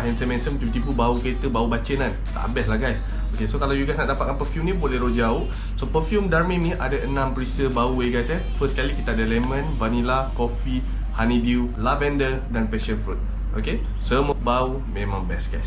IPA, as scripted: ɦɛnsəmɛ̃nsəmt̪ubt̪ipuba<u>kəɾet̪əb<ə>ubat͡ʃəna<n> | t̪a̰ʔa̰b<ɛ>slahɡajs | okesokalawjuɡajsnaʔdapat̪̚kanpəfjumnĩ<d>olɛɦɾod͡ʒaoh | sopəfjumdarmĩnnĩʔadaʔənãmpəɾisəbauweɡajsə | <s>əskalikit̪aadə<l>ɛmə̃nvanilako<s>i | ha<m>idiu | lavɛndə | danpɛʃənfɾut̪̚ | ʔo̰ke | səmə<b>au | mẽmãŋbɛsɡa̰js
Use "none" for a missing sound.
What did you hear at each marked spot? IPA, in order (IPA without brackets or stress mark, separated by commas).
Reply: u, a, n, ɛ, b, f, l, f, n, b